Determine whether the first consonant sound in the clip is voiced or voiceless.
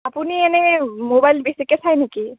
voiceless